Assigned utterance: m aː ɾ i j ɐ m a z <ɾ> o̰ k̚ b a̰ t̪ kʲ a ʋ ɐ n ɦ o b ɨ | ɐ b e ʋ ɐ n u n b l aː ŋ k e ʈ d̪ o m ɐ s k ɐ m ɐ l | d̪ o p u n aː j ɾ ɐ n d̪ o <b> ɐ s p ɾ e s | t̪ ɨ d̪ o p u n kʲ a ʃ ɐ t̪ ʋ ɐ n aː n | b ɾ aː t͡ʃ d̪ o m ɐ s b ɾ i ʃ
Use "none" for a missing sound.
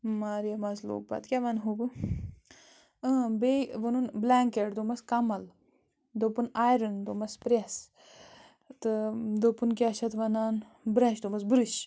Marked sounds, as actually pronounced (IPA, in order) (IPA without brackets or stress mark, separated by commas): l, m